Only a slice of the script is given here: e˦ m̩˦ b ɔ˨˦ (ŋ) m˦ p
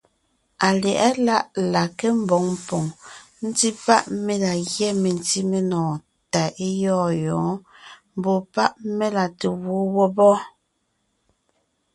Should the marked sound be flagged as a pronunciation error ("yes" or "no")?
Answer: no